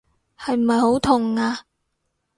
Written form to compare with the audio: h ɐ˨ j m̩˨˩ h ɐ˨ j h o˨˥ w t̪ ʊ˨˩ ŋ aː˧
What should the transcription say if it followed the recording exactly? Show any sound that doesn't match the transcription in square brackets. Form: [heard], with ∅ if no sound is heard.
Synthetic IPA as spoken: h ɐ˨ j m̩˨˩ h ɐ˨ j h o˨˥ w [t̪ʰ] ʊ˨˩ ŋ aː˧